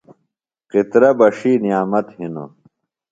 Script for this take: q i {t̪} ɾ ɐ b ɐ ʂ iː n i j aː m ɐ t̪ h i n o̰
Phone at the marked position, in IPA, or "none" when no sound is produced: t̪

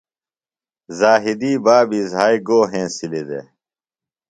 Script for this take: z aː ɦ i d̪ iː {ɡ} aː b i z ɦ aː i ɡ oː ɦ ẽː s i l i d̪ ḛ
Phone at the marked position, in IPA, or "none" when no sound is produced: b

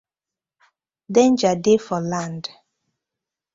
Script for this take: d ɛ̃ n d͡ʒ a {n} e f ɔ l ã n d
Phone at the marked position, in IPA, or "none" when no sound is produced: d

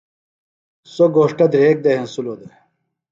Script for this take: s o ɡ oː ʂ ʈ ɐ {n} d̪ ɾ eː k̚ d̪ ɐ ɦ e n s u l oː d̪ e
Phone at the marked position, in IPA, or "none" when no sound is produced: none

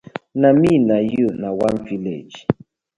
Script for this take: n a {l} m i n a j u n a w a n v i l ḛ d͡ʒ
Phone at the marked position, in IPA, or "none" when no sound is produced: none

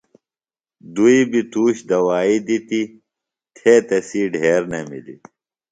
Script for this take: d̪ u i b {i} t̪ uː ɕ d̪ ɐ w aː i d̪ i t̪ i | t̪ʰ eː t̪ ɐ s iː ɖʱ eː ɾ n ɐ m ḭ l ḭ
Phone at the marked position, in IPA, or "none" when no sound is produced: i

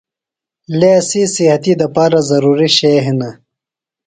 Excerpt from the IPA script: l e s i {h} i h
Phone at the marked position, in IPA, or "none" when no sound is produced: s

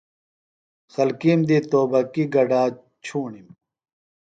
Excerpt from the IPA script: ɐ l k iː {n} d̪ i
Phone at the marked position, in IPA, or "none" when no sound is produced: m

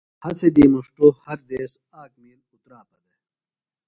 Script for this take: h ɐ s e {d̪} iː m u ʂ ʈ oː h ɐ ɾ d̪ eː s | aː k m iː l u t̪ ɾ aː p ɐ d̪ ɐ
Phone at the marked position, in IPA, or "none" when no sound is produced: d̪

